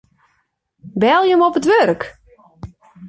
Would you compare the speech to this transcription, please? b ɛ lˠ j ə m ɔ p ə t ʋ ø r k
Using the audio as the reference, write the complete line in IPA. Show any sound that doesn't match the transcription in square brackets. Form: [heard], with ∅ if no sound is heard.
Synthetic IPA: b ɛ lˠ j ə m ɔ p ə t ʋ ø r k